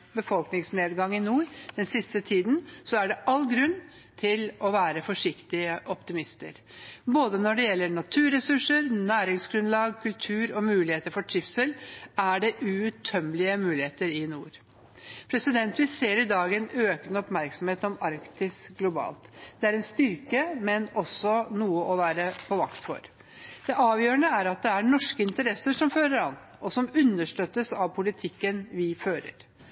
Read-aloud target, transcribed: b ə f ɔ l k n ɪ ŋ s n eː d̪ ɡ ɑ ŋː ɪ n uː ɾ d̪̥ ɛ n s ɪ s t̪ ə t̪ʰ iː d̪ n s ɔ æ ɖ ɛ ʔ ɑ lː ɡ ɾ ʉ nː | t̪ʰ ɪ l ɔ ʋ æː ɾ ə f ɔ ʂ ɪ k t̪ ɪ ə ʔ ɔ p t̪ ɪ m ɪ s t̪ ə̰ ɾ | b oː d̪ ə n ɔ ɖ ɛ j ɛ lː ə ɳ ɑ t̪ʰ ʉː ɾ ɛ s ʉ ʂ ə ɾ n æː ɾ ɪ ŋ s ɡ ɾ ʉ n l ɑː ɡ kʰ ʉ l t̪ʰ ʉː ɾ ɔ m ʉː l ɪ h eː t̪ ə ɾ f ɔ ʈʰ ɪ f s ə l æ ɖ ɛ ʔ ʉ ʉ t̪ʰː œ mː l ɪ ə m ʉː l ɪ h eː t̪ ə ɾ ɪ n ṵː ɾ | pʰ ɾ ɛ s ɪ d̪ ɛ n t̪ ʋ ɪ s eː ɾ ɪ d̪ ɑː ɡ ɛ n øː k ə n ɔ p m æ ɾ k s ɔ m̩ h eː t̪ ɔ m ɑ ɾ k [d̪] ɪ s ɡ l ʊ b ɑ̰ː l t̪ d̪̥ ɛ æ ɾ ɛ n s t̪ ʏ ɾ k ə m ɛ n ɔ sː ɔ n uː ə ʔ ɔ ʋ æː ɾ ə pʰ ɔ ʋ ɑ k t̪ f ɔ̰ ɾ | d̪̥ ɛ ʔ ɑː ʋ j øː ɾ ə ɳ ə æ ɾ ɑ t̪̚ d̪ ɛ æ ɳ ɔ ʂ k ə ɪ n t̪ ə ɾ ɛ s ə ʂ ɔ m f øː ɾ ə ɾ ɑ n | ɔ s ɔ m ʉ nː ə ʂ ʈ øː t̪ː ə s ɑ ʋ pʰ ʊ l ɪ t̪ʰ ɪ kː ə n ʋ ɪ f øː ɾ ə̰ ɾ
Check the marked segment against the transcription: incorrect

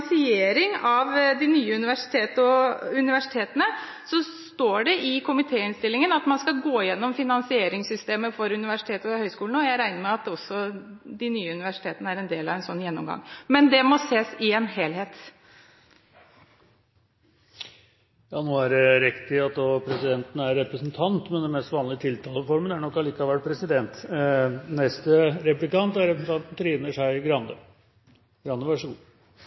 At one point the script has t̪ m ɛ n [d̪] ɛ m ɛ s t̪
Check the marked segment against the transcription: correct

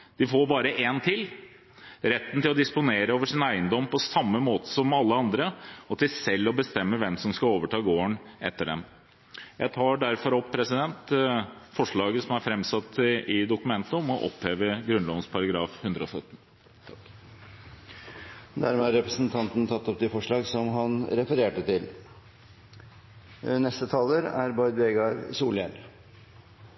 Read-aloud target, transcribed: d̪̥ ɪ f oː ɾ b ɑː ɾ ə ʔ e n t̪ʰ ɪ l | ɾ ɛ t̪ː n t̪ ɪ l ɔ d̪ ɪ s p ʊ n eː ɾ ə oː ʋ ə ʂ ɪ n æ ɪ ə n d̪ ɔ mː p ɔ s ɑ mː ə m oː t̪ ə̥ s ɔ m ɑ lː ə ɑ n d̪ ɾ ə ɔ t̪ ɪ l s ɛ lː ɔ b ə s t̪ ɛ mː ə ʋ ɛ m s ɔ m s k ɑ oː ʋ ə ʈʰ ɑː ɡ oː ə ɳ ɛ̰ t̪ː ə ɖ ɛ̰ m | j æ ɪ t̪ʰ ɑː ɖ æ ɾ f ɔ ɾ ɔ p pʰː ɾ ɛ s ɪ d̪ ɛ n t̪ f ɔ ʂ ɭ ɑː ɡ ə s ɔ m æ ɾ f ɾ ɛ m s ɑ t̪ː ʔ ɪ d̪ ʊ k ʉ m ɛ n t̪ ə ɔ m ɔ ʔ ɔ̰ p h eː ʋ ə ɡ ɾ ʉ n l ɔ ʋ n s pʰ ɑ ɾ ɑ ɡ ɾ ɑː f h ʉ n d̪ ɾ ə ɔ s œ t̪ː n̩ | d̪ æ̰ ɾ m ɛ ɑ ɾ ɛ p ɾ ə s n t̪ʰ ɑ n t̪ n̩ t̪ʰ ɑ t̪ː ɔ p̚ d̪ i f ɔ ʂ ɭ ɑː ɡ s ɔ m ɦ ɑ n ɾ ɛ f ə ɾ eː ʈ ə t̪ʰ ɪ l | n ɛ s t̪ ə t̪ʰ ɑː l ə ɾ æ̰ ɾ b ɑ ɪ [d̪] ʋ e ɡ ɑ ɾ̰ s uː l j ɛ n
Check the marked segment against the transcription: correct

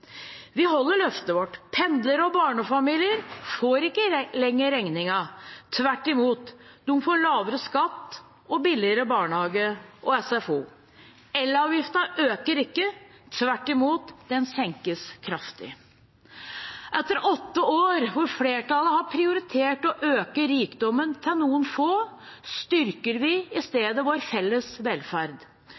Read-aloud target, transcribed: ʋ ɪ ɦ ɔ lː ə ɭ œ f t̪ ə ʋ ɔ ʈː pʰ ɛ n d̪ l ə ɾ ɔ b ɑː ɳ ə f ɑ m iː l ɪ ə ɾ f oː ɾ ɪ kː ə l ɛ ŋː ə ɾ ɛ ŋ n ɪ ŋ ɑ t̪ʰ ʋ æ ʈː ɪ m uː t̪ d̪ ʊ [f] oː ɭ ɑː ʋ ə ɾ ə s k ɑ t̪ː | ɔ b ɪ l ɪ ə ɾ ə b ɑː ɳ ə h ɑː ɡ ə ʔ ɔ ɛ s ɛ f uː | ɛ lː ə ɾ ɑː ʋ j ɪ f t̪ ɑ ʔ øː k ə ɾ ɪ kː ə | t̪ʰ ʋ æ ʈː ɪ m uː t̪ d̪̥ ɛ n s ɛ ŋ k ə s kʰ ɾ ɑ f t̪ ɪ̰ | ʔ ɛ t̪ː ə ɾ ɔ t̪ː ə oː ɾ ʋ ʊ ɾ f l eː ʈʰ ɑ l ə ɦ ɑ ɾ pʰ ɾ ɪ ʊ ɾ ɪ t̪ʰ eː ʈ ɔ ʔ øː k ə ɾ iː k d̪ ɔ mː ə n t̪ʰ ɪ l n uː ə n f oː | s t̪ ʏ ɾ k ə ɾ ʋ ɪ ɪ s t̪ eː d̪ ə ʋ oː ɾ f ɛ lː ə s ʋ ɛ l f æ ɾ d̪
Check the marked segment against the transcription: correct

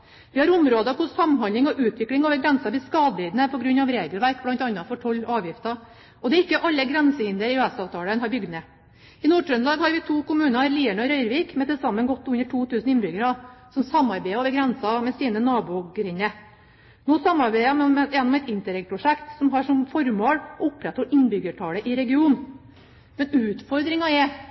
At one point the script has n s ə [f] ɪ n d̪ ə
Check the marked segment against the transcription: incorrect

